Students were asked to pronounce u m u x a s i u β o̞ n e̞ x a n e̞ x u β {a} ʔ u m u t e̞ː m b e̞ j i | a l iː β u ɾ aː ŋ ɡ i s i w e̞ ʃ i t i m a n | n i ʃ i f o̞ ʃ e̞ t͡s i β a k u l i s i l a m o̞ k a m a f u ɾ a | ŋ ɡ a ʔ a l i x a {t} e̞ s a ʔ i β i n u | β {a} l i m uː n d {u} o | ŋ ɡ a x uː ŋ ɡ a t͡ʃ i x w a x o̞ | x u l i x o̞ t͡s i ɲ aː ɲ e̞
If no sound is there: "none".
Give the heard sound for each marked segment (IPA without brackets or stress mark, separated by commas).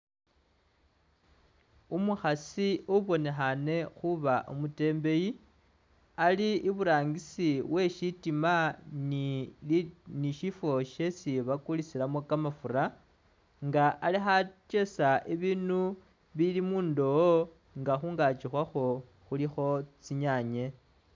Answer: a, t͡ʃ, i, o